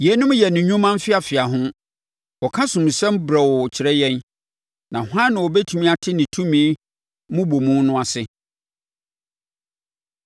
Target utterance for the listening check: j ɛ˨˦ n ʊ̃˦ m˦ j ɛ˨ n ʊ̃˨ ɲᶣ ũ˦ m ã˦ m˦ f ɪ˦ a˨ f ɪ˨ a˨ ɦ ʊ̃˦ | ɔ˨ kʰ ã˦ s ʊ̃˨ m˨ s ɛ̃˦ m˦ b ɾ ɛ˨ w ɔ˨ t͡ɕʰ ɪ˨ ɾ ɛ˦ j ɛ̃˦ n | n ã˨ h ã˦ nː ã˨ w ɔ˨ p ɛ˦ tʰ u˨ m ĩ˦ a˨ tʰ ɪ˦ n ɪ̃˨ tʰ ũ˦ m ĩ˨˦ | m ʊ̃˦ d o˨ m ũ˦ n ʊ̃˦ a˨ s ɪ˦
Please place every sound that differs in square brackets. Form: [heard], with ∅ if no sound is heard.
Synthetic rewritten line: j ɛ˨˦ n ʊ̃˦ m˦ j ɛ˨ n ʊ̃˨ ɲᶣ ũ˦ m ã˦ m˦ f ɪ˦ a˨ f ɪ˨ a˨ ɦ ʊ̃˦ | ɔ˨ kʰ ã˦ s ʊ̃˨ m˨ s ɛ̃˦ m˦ b ɾ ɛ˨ w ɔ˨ t͡ɕʰ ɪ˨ ɾ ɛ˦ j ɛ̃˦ n | n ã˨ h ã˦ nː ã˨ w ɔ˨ [b] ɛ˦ tʰ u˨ m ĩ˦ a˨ tʰ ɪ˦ n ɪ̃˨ tʰ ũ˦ m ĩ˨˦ | m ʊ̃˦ [b] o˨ m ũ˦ n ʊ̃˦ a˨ s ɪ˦